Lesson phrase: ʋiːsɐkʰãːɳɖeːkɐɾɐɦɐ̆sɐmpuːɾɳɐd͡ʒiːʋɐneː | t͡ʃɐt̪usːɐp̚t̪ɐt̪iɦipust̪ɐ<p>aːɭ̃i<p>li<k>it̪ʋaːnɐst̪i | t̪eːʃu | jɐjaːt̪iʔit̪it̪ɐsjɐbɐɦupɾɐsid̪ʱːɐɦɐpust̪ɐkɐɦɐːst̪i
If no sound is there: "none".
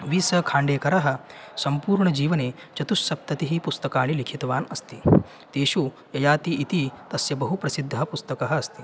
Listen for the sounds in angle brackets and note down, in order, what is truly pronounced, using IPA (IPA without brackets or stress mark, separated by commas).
k, none, kʰ